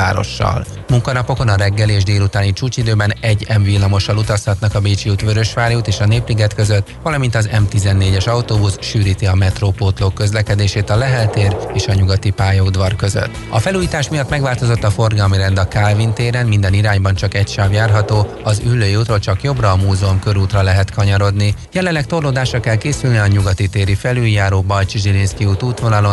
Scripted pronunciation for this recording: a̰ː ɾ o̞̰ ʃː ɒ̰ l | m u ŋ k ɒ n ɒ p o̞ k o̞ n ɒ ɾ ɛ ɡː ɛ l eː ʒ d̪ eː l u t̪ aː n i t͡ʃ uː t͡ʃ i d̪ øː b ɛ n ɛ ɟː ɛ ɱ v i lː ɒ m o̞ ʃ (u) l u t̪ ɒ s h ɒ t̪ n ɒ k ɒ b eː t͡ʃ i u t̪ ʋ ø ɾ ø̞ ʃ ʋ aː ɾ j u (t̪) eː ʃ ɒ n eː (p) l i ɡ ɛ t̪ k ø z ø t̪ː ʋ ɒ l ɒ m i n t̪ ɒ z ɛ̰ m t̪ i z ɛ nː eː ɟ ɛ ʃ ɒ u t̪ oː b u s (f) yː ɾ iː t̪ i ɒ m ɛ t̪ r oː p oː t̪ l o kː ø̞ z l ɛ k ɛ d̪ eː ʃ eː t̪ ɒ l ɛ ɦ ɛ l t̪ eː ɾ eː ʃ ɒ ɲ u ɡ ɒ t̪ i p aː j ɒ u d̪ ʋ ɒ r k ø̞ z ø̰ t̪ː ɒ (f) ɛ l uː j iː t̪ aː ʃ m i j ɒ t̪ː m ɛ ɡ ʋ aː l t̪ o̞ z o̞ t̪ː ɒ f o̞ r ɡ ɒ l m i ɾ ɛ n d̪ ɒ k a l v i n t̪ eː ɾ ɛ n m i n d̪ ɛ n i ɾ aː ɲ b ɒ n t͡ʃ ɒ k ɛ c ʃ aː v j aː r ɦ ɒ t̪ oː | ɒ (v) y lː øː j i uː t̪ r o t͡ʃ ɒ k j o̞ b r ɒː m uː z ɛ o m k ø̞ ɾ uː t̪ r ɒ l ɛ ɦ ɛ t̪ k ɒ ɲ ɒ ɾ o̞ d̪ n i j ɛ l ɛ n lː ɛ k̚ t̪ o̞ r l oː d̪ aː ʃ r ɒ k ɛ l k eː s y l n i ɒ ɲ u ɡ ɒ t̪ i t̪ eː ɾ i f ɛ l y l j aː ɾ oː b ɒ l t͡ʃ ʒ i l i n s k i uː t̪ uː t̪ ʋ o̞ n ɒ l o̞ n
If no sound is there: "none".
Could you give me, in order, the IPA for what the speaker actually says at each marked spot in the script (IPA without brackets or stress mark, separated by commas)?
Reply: ɒ, t̪, p, ʃ, f, z